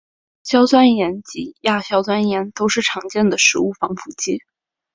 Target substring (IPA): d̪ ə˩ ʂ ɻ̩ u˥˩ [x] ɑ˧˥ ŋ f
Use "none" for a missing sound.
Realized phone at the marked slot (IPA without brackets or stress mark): f